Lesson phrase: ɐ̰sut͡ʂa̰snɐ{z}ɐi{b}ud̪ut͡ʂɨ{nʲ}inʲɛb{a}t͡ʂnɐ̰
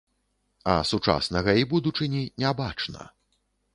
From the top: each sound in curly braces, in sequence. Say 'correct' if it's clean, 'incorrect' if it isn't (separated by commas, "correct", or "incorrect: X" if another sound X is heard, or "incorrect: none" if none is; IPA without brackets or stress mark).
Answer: incorrect: ɣ, correct, correct, correct